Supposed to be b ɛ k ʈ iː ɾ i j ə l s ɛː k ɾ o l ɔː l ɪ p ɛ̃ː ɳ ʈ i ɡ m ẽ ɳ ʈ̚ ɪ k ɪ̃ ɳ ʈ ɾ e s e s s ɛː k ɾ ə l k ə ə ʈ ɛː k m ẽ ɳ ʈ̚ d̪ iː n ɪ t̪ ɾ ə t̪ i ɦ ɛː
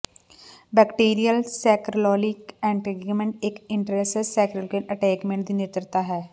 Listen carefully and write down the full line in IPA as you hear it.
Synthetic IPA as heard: b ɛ k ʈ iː ɾ i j ə l s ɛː k ɾ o l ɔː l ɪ k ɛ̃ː ɳ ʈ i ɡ m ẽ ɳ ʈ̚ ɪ k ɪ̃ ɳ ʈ ɾ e s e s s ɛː k ɾ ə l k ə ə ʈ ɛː k m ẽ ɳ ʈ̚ d̪ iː n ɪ t̪ ɾ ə t̪ a ɦ ɛː